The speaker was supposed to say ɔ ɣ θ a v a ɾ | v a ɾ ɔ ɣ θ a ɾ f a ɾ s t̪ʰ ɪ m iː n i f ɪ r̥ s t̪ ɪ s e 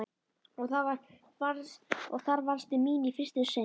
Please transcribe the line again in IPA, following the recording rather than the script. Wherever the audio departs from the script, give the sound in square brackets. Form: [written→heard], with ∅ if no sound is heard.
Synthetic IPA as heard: ɔ ɣ θ a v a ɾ | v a ɾ ɔ ɣ θ a ɾ [f→v] a ɾ s [t̪ʰ→t̪] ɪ m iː n i f ɪ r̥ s t̪ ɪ s e